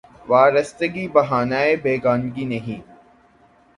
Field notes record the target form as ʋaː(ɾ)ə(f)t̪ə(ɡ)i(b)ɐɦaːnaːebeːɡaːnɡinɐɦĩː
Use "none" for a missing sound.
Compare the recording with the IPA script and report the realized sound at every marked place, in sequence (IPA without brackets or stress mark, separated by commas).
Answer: ɾ, s, ɡ, b